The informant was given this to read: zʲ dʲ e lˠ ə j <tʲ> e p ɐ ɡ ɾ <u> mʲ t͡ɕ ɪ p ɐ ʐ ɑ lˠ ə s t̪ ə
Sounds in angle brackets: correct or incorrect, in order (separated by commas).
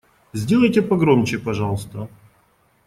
correct, incorrect